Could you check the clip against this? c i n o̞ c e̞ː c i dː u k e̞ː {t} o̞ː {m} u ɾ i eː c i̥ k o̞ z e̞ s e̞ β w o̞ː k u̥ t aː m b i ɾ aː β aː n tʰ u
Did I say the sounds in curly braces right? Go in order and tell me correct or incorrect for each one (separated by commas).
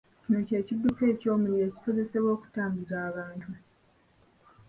incorrect, correct